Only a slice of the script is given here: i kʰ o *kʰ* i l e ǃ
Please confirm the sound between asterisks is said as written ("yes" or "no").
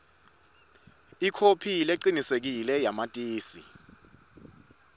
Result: no